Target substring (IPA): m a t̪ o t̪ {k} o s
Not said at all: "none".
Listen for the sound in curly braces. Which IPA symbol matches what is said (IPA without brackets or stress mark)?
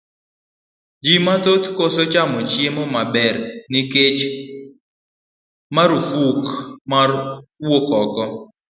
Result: k